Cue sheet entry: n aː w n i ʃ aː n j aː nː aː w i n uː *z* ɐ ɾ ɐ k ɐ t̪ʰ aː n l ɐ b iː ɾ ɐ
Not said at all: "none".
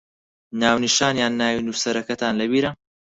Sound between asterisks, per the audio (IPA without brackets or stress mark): s